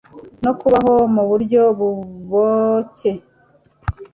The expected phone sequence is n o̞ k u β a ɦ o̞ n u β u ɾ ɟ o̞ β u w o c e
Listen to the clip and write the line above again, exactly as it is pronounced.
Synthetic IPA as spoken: n o̞ k u β a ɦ o̞ m u β u ɾ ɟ o̞ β u β o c e